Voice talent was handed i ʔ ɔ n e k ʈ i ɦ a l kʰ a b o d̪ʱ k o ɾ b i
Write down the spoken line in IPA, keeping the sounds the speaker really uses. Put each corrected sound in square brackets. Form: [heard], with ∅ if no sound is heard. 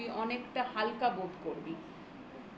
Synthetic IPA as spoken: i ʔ ɔ n e k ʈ [a] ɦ a l [k] a b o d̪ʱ k o ɾ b i